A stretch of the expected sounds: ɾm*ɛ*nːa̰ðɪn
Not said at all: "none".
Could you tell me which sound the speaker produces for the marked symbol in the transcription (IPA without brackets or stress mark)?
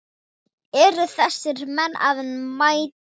ɛ